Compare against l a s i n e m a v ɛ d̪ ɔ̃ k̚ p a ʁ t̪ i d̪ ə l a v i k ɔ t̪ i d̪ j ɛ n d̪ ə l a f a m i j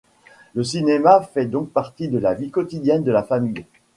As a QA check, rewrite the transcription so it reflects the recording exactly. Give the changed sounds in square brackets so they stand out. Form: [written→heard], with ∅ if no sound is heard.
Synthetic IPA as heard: l [a→ə] s i n e m a [v→f] ɛ d̪ ɔ̃ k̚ p a ʁ t̪ i d̪ ə l a v i k ɔ t̪ i d̪ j ɛ n d̪ ə l a f a m i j